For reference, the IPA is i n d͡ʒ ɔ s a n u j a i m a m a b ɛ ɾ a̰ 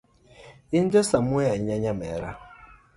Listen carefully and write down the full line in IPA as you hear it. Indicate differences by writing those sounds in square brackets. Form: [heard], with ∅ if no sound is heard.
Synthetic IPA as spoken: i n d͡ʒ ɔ s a [m] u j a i [ɲ] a [ɲ] a [m] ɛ ɾ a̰